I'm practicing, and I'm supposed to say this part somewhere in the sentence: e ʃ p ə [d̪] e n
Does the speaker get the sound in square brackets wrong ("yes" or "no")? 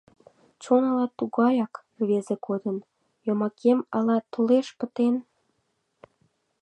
yes